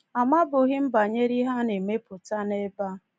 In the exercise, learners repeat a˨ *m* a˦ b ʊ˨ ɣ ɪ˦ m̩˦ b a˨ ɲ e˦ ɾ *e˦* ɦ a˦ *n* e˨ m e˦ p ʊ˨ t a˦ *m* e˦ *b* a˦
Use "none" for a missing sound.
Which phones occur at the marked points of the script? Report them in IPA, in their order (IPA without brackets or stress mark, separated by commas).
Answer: m, i˦, n, n, b